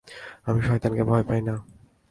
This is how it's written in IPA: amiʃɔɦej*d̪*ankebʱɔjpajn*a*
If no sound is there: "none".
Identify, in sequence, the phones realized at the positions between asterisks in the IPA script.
t̪, a

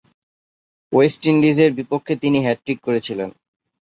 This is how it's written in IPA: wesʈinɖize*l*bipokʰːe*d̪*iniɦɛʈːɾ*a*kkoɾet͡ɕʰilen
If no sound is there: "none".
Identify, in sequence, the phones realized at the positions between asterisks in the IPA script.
ɾ, t̪, i

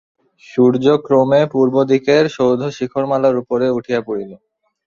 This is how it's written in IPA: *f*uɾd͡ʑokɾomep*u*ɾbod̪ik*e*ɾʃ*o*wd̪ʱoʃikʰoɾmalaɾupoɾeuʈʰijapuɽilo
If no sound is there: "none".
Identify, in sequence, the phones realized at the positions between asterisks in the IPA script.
ʃ, u, e, o

